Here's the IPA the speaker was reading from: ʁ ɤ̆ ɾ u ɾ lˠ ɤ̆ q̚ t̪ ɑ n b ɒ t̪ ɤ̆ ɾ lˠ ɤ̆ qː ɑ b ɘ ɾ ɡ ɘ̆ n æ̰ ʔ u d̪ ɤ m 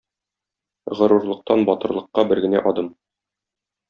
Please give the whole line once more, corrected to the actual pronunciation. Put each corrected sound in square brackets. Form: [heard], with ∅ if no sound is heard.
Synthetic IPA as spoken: ʁ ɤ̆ ɾ u ɾ lˠ ɤ̆ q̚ t̪ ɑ n b ɒ t̪ ɤ̆ ɾ lˠ ɤ̆ qː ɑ b ɘ ɾ ɡ ɘ̆ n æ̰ ʔ [ɒ] d̪ ɤ m